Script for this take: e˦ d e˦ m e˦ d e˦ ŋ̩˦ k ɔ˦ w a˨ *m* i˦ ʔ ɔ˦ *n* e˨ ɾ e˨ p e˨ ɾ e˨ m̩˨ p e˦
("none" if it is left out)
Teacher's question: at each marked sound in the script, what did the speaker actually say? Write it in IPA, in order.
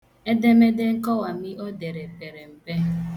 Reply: m, d

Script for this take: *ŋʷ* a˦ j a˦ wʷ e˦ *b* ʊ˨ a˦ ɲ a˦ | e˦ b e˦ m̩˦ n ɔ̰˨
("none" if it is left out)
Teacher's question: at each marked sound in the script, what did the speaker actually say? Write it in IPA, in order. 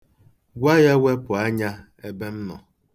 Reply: ɡʷ, p

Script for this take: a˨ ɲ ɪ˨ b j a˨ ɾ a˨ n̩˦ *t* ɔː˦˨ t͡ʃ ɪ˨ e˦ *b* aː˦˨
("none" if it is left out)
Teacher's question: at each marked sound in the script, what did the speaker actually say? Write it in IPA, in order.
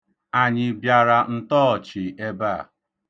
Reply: t, b

